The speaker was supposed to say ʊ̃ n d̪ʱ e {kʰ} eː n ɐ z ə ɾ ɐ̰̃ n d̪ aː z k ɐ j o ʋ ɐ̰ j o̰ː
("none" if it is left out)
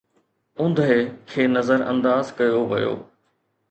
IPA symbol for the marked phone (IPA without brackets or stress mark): kʰ